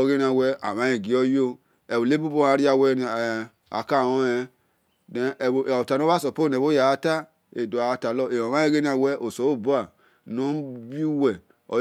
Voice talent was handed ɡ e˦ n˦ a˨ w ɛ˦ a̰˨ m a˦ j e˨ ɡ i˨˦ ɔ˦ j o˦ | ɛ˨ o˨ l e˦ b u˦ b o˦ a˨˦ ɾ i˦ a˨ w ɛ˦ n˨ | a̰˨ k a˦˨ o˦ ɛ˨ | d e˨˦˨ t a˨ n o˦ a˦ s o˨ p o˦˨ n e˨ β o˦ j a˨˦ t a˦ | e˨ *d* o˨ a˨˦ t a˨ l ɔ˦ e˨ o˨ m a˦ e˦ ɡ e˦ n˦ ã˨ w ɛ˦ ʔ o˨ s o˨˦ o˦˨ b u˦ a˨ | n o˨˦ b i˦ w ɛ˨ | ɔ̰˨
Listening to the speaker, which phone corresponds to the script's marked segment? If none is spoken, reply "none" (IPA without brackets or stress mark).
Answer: d